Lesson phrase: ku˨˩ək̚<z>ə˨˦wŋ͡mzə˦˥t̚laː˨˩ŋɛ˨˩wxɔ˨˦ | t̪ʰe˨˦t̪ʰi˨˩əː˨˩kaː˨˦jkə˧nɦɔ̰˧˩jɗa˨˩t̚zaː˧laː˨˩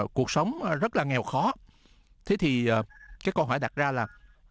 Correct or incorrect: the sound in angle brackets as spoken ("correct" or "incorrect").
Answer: incorrect